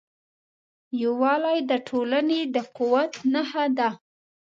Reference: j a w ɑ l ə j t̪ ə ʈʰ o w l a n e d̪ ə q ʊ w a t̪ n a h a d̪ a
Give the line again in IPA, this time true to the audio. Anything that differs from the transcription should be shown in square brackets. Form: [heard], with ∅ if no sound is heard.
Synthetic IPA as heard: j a w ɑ l [a] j [d̪] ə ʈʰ o [∅] l a n e d̪ ə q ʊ w a t̪ n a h a d̪ a